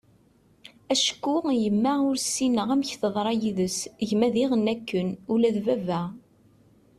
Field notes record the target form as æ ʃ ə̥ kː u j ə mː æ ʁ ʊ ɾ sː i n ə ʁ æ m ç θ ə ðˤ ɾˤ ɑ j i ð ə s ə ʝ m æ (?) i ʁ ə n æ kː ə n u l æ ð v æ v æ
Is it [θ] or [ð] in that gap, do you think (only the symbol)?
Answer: ð